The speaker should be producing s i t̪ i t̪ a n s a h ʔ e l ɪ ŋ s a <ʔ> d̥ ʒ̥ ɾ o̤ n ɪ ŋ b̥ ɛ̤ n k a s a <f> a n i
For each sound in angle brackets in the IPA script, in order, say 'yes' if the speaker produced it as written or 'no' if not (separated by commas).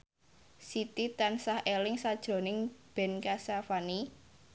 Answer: no, yes